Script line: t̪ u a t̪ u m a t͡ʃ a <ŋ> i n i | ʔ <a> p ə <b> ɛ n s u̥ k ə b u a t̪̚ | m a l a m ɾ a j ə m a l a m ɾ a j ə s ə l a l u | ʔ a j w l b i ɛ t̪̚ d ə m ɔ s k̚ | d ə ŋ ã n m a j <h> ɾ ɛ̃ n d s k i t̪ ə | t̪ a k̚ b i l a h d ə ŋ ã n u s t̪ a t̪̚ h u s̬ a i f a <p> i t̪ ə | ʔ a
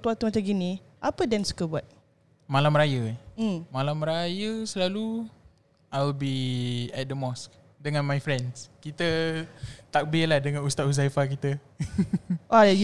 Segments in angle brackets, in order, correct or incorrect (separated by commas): incorrect, correct, incorrect, incorrect, incorrect